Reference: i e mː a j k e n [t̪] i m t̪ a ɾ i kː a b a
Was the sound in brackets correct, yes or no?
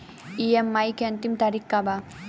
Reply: yes